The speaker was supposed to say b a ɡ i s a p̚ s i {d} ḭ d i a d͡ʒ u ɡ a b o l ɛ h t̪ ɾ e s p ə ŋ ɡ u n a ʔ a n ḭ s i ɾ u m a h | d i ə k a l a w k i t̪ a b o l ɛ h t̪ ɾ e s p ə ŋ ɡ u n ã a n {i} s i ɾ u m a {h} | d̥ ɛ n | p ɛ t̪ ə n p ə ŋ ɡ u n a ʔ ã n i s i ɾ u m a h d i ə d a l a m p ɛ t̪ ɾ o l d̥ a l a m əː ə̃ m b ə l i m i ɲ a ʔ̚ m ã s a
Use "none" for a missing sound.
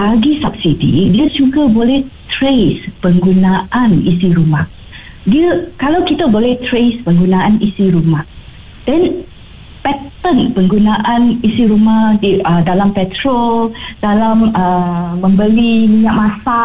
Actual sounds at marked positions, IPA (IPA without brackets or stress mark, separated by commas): d, i, h